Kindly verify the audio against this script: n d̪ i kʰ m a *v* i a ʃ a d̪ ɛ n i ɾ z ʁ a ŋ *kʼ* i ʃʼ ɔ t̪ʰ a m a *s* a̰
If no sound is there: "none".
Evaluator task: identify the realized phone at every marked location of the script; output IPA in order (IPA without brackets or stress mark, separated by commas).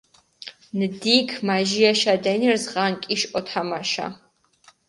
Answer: ʒ, kʼ, ʃ